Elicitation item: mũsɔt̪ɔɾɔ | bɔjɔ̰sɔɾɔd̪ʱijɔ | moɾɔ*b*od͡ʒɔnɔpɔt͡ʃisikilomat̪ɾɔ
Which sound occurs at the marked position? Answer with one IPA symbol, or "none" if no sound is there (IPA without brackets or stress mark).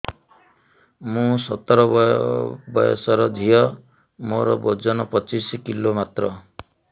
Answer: b